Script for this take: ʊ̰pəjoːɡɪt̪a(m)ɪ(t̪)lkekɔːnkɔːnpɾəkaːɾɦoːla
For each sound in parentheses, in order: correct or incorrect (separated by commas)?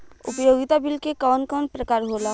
incorrect, incorrect